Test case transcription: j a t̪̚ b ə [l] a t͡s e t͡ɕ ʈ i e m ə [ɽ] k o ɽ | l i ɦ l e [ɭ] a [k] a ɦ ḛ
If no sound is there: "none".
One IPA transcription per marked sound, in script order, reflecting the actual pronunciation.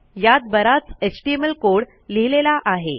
ɾ, l, l, ʔ

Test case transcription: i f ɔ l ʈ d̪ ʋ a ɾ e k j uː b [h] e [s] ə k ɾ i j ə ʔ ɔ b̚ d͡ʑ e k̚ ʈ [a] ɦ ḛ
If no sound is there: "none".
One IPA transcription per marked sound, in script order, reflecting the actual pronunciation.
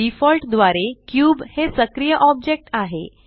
h, s, a

